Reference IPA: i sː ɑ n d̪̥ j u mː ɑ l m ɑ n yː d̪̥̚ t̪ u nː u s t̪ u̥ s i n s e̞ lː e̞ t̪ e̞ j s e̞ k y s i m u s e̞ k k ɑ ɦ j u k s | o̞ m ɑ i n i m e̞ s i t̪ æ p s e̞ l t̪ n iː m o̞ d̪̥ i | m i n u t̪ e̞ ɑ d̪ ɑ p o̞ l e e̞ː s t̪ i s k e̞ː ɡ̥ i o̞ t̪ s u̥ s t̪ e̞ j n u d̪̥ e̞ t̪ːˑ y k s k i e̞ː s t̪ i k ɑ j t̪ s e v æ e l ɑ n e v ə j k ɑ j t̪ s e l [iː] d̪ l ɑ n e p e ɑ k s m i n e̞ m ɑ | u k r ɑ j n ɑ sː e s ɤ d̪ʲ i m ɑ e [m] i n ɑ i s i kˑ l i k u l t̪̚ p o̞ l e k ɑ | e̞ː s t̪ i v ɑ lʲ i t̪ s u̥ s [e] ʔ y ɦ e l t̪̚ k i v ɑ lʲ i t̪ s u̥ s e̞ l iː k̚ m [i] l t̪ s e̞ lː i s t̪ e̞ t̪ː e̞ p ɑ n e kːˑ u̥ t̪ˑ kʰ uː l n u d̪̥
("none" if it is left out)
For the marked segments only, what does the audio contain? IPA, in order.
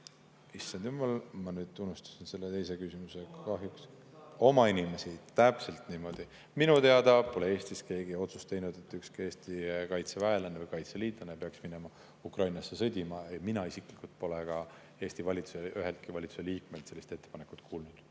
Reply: iː, m, e, e

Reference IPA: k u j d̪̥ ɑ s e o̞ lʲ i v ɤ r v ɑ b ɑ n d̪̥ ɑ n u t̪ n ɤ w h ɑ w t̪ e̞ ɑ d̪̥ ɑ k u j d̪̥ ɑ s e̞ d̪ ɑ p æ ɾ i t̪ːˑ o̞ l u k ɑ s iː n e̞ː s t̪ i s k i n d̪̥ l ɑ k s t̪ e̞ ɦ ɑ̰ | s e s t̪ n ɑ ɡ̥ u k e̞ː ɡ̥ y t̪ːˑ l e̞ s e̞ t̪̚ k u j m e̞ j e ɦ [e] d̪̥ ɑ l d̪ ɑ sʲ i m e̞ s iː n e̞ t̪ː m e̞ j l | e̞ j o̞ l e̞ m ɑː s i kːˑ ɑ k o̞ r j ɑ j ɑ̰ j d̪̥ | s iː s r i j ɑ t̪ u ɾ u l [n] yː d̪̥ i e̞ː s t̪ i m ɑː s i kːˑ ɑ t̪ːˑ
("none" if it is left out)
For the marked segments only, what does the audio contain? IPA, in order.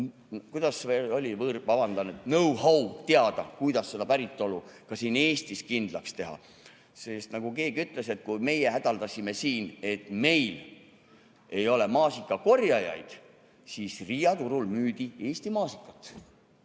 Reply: æ, m

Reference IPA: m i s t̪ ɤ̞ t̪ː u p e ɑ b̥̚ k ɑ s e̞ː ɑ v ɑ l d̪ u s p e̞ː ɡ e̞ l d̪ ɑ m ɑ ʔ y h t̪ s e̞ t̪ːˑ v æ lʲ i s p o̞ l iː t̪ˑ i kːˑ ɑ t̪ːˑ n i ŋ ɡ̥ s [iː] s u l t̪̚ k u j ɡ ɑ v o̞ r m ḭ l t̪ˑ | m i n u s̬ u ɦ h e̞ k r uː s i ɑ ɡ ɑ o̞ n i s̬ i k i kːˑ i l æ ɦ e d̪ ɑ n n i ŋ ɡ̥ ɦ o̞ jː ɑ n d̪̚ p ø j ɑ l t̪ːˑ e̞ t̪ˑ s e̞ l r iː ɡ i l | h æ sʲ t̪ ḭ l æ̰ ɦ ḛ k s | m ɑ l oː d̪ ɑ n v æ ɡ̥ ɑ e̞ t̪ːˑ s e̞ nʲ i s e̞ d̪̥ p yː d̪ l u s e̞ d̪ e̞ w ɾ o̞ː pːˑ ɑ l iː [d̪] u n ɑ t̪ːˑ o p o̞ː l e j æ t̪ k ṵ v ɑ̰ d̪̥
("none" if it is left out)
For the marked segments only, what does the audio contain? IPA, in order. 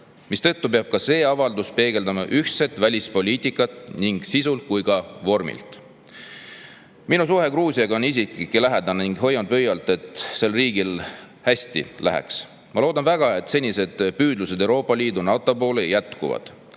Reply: i, d̪

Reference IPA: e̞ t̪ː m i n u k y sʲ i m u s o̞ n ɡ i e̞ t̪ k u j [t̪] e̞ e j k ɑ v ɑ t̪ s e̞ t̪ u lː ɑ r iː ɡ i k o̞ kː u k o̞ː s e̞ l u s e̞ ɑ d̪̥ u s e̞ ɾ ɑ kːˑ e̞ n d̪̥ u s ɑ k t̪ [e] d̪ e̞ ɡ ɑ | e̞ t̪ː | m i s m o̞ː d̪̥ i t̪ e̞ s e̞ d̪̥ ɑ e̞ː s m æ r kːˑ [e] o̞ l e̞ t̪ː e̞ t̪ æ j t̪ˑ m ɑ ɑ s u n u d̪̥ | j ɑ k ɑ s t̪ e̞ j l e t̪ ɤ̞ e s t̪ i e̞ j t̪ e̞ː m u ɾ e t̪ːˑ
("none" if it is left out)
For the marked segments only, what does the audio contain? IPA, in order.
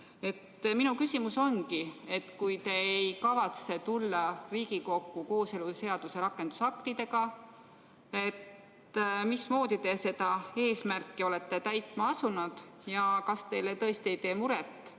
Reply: t̪, i, i

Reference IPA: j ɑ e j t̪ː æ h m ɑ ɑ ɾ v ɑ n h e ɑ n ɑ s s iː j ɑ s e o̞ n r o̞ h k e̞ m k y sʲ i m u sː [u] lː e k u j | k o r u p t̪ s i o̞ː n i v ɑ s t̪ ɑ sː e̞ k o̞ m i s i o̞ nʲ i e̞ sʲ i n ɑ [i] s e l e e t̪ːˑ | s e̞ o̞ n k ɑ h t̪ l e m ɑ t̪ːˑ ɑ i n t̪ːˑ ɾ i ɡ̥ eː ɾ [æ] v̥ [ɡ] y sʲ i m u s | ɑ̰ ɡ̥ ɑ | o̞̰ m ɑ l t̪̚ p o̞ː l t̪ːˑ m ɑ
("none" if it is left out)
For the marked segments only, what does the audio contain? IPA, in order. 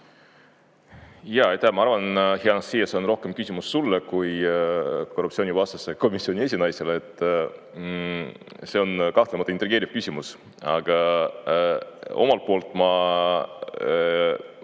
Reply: u, j, i, k

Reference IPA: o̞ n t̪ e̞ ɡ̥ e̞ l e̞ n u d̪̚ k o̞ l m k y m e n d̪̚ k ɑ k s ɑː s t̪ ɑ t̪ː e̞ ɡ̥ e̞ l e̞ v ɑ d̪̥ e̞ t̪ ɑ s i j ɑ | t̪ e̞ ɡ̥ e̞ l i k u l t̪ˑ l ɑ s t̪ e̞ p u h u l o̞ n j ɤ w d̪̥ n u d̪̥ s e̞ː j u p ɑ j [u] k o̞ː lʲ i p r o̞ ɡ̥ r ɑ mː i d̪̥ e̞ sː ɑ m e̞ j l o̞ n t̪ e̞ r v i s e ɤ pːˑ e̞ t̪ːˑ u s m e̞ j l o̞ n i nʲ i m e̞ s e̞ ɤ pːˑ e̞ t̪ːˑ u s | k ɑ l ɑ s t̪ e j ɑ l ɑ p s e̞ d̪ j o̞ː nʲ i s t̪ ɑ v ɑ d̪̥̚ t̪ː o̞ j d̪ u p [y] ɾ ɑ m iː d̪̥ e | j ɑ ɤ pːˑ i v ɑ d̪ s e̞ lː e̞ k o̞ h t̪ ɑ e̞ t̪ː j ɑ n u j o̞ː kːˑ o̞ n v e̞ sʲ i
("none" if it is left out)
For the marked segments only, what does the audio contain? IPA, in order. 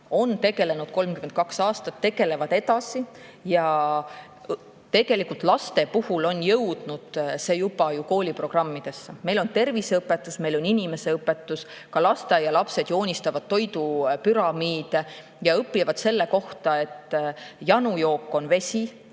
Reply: u, y

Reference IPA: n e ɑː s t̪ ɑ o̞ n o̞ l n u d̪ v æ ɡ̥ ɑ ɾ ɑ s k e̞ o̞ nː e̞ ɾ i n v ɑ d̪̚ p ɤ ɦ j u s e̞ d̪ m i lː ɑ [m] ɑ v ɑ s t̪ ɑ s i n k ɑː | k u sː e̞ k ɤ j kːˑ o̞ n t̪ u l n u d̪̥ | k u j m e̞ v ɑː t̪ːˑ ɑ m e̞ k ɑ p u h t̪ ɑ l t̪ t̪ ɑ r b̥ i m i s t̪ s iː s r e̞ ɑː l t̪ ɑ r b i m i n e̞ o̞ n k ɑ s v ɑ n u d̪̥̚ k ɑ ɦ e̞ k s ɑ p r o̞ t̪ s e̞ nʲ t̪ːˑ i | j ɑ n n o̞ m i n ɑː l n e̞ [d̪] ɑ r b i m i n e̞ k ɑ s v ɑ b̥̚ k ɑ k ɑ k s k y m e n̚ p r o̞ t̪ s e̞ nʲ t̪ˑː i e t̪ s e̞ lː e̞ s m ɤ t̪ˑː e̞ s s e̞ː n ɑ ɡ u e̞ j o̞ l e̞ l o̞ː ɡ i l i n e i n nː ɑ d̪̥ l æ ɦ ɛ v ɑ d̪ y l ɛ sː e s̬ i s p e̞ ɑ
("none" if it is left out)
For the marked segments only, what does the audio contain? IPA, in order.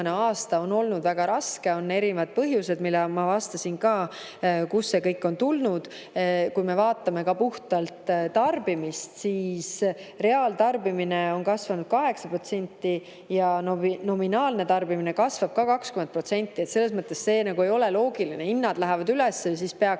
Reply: m, t̪

